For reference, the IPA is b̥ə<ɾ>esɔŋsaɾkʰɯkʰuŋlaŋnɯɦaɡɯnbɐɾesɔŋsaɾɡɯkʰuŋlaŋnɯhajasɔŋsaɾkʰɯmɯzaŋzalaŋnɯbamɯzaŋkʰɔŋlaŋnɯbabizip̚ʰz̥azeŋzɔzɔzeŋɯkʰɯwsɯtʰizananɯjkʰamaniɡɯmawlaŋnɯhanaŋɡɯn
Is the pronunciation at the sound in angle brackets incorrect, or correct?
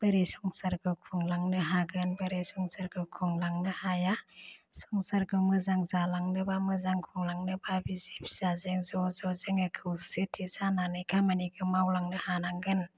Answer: correct